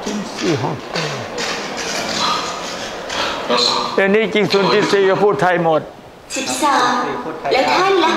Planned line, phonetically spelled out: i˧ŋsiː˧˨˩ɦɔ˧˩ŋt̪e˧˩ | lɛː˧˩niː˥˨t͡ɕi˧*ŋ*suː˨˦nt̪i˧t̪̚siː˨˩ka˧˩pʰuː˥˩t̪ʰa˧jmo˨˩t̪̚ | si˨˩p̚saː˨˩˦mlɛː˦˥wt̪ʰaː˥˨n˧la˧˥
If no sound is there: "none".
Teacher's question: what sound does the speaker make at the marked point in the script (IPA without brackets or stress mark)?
ŋ